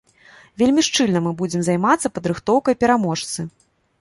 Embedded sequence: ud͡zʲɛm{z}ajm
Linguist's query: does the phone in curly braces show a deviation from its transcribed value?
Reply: no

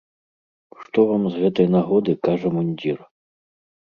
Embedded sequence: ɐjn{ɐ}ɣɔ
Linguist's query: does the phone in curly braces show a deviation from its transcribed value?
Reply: yes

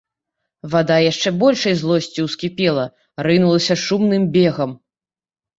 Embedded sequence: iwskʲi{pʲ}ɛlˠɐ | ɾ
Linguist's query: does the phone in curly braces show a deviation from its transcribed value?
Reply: no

